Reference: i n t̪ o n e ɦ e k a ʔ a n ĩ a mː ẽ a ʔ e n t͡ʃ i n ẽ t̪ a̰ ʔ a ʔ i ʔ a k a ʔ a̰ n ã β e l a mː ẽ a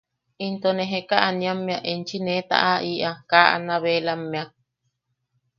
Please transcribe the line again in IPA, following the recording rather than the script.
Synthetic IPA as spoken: i n t̪ o n e ɦ e k a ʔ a n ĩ a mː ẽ a ʔ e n t͡ʃ i n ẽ t̪ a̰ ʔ a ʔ i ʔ a k a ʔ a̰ n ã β e l a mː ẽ a